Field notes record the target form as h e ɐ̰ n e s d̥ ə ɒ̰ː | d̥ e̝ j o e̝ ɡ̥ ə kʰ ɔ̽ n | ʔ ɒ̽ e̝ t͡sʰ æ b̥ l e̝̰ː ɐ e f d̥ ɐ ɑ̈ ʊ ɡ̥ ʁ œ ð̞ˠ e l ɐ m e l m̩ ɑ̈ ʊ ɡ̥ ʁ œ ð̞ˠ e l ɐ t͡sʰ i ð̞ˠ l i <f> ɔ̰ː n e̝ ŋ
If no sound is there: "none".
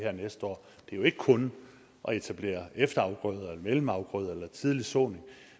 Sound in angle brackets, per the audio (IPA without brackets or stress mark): s